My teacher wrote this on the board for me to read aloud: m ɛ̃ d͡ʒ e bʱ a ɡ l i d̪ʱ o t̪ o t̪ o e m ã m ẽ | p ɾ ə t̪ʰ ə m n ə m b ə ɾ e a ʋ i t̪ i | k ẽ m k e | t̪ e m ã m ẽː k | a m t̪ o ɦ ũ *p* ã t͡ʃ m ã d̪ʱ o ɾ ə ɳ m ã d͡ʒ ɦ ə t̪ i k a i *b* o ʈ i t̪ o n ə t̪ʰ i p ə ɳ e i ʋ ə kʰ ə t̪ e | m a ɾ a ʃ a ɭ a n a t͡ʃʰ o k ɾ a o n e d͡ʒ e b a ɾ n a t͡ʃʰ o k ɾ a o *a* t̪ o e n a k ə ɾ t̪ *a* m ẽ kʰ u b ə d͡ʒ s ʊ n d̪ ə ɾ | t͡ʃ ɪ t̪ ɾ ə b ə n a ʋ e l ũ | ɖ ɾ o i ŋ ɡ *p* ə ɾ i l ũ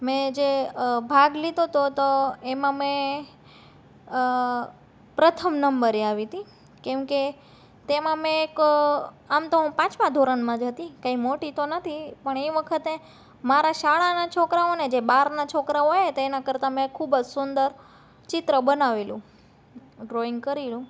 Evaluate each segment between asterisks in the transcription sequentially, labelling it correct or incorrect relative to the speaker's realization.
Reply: correct, incorrect, incorrect, correct, incorrect

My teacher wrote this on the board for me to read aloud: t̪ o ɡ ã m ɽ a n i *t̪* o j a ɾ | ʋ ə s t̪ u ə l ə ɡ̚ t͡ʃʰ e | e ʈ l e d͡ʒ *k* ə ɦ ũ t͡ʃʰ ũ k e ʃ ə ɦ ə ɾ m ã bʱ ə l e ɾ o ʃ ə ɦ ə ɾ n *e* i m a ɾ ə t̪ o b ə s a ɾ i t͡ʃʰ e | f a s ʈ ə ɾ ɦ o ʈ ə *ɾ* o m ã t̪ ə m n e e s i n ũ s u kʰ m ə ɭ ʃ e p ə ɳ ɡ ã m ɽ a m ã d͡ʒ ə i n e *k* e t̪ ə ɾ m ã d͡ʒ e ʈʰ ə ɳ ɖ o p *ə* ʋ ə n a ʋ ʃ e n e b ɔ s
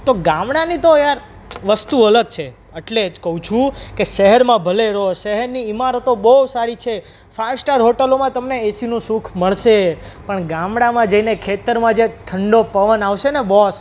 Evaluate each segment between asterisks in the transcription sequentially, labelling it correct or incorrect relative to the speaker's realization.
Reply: correct, correct, incorrect, incorrect, incorrect, correct

